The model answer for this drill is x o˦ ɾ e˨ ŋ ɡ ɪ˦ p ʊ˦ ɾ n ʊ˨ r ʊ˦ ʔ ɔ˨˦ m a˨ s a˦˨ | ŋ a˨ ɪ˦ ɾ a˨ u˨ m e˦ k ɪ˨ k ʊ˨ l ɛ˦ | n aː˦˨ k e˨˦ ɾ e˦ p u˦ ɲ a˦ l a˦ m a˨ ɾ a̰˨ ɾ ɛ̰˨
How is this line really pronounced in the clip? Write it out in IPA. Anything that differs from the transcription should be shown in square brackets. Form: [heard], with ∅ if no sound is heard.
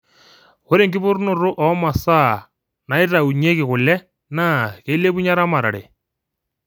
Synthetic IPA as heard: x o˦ ɾ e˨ ŋ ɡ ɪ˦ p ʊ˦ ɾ n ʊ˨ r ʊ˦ ʔ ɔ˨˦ m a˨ s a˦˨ | [n] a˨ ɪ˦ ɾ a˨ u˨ [ɲ] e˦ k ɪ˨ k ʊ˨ l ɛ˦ | n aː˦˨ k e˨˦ [l] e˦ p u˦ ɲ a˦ [ɾ] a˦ m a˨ ɾ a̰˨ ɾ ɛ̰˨

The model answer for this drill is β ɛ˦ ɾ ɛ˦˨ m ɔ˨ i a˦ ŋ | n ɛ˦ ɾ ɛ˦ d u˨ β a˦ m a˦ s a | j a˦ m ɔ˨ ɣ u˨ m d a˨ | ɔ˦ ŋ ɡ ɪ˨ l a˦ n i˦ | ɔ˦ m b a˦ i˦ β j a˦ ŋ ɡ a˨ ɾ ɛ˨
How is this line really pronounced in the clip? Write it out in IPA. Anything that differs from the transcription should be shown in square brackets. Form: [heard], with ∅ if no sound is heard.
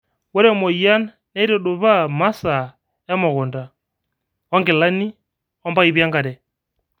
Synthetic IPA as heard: [w] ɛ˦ ɾ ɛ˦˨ m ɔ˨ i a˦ [n] | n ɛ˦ ɾ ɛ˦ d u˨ β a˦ m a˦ s a | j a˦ m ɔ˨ ɣ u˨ [n] d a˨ | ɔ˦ ŋ ɡ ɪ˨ l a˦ n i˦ | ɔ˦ m b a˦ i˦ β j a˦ ŋ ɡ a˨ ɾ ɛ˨

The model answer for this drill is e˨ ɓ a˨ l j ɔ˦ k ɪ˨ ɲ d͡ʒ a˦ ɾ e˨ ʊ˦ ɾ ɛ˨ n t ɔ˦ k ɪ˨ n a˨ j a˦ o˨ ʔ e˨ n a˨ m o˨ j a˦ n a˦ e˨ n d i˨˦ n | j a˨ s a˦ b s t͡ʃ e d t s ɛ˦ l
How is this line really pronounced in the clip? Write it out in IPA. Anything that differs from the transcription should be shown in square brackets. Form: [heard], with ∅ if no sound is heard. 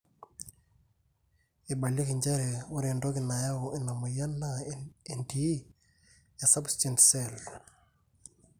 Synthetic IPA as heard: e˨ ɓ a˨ l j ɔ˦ k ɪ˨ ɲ d͡ʒ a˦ ɾ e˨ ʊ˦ ɾ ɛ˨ n [d] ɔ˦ k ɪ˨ n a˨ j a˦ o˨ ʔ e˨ n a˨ m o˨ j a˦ n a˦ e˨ n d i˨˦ [∅] | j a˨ s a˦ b s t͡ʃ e [n] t s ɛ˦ l

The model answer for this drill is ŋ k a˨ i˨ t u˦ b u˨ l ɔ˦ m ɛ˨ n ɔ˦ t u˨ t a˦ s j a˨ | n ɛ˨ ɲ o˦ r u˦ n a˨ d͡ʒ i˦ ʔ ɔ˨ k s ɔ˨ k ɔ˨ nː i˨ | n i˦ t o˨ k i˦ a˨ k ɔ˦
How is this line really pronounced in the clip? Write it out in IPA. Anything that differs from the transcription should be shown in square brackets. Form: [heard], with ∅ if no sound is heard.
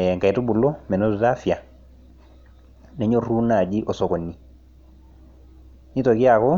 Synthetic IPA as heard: ŋ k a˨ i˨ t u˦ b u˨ l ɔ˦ m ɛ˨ n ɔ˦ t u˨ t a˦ [f] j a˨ | n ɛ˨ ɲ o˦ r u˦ n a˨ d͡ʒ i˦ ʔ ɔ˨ [∅] s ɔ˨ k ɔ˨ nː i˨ | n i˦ t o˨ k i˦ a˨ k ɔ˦

